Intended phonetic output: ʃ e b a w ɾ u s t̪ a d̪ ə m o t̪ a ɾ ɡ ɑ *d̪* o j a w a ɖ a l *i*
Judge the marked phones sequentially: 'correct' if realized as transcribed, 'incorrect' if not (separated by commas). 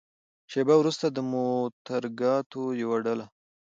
incorrect, incorrect